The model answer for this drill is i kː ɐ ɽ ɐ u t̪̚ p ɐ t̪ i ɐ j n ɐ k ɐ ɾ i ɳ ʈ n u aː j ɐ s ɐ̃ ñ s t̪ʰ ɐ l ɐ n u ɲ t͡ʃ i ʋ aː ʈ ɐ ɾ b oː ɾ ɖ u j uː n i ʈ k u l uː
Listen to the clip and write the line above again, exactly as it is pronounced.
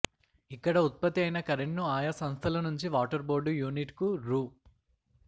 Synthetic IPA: i kː ɐ ɽ ɐ u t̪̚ p ɐ t̪ i ɐ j n ɐ k ɐ ɾ e ɳ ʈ n u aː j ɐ s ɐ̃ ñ s t̪ʰ ɐ l ɐ n u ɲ t͡ʃ i ʋ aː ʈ ɐ ɾ b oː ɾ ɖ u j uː n i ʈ k u ɾ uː